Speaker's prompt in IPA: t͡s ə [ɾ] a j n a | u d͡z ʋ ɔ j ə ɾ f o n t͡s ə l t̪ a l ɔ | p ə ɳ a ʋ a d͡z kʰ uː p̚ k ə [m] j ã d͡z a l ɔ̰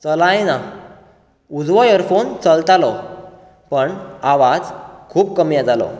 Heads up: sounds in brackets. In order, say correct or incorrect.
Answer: incorrect: l, correct

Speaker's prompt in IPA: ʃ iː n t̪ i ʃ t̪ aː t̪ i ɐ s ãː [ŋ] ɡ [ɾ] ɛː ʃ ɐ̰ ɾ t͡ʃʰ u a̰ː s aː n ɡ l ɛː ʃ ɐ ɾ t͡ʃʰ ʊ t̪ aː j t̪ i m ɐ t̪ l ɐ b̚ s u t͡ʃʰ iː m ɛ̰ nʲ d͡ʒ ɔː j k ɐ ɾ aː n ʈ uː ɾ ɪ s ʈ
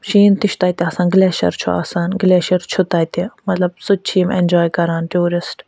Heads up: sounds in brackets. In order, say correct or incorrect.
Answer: incorrect: n, incorrect: l

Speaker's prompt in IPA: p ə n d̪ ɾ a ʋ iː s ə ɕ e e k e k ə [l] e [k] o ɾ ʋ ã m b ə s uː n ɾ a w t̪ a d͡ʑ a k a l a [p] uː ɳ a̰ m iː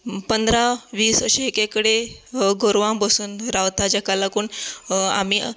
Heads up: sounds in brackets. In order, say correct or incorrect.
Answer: incorrect: ɽ, incorrect: ɡ, incorrect: k

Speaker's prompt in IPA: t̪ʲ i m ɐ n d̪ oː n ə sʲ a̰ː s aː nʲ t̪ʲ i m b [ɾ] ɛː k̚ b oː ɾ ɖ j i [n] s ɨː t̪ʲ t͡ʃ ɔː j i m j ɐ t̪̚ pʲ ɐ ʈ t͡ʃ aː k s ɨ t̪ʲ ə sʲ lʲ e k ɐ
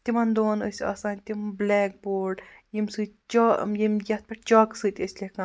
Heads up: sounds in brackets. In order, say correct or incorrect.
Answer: incorrect: l, incorrect: m

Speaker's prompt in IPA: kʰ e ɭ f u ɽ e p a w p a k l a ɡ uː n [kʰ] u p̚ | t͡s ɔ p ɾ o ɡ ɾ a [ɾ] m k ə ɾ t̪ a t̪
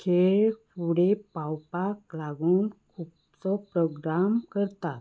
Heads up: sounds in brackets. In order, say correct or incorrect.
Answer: correct, incorrect: none

